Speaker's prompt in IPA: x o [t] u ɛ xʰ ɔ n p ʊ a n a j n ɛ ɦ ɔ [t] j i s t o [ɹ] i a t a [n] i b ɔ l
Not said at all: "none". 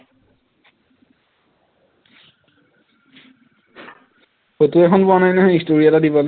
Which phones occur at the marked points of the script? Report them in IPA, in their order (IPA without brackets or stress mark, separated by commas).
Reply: t, none, ɹ, d